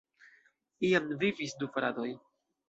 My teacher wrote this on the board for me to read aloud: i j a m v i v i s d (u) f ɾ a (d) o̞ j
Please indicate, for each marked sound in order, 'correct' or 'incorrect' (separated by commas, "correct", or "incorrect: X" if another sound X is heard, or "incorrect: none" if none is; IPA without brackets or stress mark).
correct, correct